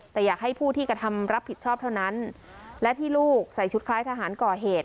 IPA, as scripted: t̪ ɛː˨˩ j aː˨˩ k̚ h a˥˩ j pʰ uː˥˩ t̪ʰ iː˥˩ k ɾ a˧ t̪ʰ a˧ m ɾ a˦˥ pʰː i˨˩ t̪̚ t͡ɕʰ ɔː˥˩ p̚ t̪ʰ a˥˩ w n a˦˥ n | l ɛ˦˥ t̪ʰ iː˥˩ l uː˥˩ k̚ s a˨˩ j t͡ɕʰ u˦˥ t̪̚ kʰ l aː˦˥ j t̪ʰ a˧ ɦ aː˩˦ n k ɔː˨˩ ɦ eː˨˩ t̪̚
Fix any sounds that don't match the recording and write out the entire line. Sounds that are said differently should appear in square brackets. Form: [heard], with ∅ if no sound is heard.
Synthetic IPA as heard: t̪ ɛː˨˩ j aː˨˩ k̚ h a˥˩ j pʰ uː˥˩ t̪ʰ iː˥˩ k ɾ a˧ t̪ʰ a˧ m ɾ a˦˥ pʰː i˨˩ t̪̚ t͡ɕʰ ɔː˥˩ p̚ t̪ʰ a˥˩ w n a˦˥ n | l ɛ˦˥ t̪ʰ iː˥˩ l uː˥˩ k̚ s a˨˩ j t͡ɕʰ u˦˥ t̪̚ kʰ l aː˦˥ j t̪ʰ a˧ ɦ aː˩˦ n k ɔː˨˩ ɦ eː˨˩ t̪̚